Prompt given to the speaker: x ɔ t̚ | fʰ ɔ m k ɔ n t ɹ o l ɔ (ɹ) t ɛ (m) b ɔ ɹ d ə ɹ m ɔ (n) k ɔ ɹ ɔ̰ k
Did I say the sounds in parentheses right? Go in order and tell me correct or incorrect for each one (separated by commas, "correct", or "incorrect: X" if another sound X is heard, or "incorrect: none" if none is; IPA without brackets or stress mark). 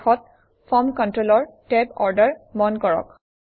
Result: correct, incorrect: none, correct